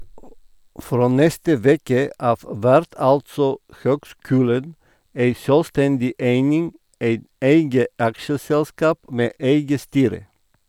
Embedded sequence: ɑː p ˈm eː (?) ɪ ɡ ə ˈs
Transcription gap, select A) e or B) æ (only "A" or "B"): A